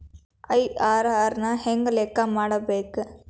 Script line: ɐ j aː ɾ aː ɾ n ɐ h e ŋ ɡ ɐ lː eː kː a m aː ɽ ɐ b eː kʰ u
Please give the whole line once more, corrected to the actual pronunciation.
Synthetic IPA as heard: ɐ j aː ɾ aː ɾ n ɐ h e ŋ ɡ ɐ l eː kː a m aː ɽ ɐ b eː k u